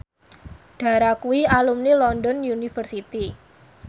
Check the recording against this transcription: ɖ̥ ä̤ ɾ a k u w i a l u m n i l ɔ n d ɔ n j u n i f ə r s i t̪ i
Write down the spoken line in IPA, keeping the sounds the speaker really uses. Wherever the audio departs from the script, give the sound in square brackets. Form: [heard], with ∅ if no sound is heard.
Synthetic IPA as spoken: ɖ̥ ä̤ ɾ a k u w i a l u m n i l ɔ n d ɔ n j u n i f ə r s i t̪ i